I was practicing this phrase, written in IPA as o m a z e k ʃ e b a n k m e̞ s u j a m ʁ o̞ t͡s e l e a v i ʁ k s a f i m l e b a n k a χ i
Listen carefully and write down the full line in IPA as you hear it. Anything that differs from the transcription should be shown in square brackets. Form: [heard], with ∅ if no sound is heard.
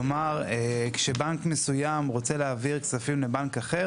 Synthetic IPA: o m a [ʁ] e k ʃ e b a n k m e̞ s u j a m ʁ o̞ t͡s e l e a v i ʁ k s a f i m l e b a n k a χ [e]